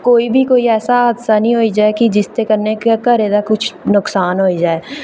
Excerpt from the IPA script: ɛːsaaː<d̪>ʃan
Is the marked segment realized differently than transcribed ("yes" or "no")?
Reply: no